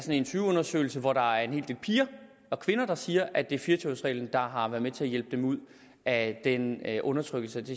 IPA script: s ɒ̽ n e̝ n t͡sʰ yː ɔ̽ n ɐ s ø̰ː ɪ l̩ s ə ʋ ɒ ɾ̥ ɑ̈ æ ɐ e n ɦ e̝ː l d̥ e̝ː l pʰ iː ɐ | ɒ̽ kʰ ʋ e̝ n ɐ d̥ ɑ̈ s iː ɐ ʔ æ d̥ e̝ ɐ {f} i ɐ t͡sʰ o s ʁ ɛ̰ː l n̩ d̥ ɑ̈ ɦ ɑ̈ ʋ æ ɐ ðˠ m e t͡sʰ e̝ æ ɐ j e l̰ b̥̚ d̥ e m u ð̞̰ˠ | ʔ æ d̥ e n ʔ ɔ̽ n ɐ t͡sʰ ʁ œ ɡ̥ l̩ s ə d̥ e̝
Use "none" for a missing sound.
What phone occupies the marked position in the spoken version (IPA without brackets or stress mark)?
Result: f